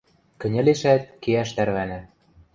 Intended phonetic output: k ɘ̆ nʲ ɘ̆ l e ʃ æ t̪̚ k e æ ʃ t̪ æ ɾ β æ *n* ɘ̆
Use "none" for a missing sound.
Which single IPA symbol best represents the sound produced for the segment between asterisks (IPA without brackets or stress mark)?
n